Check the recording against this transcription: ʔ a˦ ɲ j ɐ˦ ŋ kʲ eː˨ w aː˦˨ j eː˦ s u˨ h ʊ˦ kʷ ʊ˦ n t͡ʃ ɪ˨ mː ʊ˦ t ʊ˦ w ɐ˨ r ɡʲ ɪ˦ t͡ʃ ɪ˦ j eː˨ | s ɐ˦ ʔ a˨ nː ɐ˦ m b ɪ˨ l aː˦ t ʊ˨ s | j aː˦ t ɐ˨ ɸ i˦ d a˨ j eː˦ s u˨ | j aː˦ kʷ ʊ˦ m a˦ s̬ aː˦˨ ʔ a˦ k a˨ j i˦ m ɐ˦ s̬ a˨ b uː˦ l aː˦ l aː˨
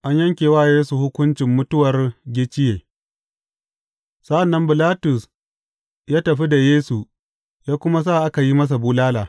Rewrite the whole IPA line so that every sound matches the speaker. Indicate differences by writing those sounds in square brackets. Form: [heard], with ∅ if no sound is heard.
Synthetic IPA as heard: ʔ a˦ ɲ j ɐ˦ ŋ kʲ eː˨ w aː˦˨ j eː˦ s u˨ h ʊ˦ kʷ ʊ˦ n t͡ʃ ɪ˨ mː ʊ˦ t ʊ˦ w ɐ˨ r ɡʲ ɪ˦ t͡ʃ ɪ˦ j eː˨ | s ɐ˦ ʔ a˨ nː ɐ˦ m b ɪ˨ l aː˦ t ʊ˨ s | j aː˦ t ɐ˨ ɸ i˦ d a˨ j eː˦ s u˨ | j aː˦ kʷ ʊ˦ m a˦ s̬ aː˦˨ ʔ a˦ k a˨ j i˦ m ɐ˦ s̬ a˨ b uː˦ l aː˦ l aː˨